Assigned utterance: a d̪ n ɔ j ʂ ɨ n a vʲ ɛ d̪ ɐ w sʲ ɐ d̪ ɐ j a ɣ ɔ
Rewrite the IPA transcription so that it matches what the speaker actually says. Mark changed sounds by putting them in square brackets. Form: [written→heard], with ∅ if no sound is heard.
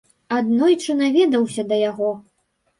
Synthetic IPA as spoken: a d̪ n ɔ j [ʂ→t͡ʂ] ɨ n a vʲ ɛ d̪ ɐ w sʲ ɐ d̪ ɐ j a ɣ ɔ